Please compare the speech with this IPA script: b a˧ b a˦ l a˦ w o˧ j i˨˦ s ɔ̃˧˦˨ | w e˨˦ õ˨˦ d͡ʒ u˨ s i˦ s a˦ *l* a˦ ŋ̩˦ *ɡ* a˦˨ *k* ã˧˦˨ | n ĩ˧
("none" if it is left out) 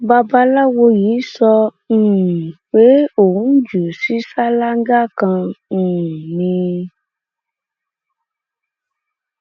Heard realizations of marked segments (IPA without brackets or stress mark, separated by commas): l, ɡ, k